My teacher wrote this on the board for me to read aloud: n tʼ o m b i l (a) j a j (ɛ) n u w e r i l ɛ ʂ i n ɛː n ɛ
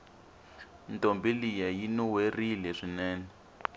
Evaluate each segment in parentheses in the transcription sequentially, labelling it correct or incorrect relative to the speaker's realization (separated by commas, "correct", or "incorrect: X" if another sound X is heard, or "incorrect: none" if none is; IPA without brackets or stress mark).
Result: incorrect: i, incorrect: i